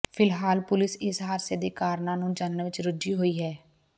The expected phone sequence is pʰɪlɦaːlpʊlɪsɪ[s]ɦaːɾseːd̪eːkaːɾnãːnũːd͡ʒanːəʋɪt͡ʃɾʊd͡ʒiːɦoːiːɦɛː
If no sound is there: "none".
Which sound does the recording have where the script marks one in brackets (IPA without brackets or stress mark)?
s